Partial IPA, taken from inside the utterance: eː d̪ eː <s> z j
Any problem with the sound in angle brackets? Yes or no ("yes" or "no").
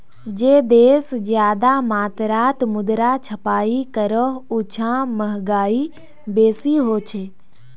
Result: no